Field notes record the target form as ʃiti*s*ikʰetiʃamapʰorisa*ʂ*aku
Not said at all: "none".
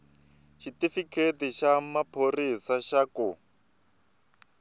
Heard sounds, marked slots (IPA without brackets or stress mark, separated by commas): f, ʃ